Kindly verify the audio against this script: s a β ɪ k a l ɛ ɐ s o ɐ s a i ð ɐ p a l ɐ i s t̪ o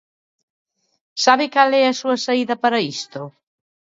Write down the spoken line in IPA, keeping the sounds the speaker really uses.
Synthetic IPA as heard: s a β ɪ k a l ɛ ɐ s u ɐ s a i ð ɐ p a ɾ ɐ i s t̪ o